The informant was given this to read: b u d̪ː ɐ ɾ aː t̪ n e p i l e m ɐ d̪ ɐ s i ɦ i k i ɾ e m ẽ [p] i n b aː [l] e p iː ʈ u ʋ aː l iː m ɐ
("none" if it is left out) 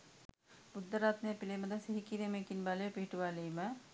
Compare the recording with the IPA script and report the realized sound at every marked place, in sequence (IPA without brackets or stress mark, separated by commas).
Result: k, l